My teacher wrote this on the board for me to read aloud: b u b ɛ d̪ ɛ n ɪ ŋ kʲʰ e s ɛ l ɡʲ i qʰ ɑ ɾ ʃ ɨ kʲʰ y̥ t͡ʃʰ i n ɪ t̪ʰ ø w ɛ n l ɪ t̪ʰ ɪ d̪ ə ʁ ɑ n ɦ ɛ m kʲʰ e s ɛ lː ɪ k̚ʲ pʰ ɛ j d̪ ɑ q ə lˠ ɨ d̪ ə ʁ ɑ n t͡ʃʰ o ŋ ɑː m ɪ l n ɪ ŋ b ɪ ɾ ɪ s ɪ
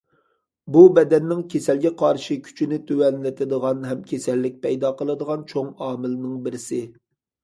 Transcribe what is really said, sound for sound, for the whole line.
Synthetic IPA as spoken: b u b ɛ d̪ ɛ nː ɪ ŋ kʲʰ e s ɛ l ɡʲ ɛ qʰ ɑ ɾ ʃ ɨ kʲʰ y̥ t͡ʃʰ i n ɪ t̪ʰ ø w ɛ n l ɪ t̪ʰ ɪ d̪ ə ʁ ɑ n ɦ ɛ m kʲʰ e s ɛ lː ɪ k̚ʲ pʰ ɛ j d̪ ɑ q ə lˠ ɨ d̪ ə ʁ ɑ n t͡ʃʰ o ŋ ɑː m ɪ l n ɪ ŋ b ɪ ɾ ɪ s ɪ

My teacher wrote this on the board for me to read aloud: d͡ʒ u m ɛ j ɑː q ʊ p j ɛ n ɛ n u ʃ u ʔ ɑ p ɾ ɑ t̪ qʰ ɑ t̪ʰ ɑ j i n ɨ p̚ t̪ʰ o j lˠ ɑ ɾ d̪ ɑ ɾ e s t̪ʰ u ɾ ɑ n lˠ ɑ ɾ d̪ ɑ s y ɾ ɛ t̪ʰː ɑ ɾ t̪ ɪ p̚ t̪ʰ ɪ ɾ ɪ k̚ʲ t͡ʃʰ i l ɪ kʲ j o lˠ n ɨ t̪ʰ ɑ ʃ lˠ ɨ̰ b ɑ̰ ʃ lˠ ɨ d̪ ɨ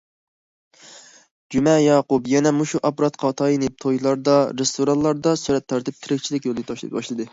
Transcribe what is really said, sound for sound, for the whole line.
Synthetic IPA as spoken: d͡ʒ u m ɛ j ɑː q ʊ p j ɛ n ɛ m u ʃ u ʔ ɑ p ɾ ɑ t̪ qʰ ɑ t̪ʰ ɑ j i n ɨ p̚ t̪ʰ o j lˠ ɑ ɾ d̪ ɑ ɾ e s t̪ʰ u ɾ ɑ n lˠ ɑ ɾ d̪ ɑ s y ɾ ɛ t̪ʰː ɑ ɾ t̪ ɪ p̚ t̪ʰ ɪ ɾ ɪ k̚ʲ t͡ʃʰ i l ɪ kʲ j o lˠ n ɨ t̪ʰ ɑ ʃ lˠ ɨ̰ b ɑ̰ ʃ lˠ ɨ d̪ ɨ

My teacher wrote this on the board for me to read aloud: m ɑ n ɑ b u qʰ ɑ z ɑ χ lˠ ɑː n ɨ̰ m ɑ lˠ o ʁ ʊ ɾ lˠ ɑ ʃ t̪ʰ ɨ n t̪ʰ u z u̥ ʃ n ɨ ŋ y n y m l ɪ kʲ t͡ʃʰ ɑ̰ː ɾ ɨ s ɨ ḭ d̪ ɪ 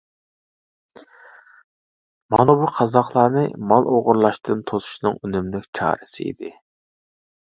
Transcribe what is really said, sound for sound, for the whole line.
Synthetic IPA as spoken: m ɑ n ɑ b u qʰ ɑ z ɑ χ lˠ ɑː n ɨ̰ m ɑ lˠ o ʁ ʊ ɾ lˠ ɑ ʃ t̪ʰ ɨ n t̪ʰ o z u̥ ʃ n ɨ ŋ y n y m l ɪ kʲ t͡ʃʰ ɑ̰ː ɾ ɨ s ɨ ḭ d̪ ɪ

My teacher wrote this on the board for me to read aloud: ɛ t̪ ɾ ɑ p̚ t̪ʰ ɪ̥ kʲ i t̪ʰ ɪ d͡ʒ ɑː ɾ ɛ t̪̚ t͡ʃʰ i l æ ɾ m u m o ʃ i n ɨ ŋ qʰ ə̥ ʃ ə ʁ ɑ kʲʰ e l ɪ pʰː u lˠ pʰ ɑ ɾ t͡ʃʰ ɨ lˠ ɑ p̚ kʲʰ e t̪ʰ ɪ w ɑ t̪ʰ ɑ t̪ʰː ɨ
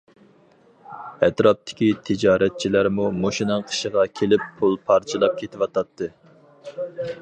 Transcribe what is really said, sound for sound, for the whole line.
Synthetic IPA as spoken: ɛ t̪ ɾ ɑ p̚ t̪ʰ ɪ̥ kʲ i t̪ʰ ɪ d͡ʒ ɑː ɾ ɛ t̪̚ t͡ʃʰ i l æ ɾ m u m o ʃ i n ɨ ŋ qʰ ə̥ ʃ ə ʁ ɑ kʲʰ e l ɪ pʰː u lˠ pʰ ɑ ɾ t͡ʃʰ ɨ lˠ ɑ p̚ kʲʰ e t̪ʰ ɪ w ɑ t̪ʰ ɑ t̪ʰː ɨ

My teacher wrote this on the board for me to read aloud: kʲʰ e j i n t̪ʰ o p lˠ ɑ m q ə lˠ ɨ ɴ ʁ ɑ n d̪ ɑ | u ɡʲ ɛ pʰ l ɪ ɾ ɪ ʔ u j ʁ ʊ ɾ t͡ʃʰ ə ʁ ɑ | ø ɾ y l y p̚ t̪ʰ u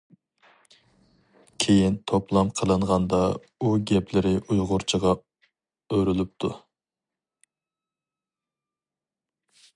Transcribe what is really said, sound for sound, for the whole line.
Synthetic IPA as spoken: kʲʰ e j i n t̪ʰ o p lˠ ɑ m qʰ ə lˠ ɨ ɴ ʁ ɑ n d̪ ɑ | u ɡʲ ɛ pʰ l ɪ ɾ ɪ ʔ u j ʁ ʊ ɾ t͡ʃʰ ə ʁ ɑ | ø ɾ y l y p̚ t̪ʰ u

